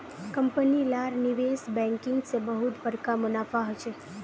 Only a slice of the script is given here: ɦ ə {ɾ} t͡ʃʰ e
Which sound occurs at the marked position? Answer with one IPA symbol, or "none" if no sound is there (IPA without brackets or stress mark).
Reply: none